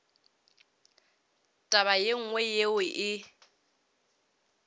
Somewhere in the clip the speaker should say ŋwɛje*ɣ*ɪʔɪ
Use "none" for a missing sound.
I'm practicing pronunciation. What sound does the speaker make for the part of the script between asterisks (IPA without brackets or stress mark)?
w